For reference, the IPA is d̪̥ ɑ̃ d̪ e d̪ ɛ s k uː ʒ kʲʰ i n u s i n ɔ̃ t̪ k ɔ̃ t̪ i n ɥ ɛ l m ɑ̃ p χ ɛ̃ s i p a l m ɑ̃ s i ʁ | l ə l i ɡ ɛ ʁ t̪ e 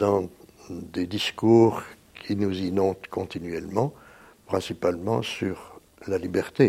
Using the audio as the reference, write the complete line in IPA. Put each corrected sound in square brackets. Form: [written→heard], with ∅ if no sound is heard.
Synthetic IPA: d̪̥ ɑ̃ d̪ e d̪ [ɛ→i] s k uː [ʒ→ʁ] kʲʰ i n u [s→z] i n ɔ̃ t̪ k ɔ̃ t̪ i n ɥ ɛ l m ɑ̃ p χ ɛ̃ s i p a l m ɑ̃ s [i→y] ʁ | l [ə→a] l i [ɡ→b] ɛ ʁ t̪ e